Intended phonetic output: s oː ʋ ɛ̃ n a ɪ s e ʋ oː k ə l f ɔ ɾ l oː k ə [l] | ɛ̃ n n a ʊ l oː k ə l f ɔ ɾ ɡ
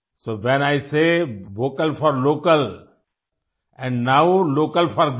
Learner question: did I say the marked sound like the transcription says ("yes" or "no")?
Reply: yes